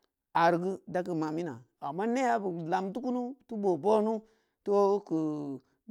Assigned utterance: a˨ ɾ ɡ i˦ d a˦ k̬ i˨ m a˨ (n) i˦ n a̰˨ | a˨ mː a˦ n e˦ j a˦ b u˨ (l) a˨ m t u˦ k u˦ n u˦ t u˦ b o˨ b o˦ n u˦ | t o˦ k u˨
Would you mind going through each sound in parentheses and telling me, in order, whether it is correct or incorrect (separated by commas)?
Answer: incorrect, correct